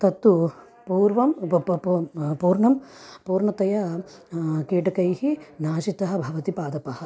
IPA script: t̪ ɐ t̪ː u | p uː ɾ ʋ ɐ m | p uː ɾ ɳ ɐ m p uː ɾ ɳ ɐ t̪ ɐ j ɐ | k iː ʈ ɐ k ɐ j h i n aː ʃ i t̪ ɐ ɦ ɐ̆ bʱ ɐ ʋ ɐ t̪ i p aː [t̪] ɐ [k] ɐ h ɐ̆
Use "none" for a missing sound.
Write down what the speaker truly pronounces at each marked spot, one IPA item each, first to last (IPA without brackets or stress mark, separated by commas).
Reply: d̪, p